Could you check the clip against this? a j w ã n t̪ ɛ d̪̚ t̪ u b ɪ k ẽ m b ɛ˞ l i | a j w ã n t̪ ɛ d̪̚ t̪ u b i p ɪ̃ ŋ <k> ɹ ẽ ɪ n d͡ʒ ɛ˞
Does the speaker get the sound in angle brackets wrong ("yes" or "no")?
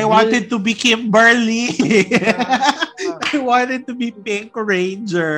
no